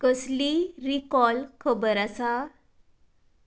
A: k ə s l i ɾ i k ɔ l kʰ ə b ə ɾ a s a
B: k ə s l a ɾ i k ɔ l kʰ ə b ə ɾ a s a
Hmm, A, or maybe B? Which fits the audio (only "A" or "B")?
A